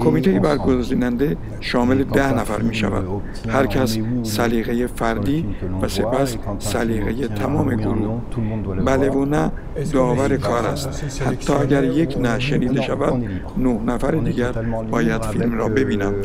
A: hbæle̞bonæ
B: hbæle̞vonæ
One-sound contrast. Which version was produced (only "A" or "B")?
B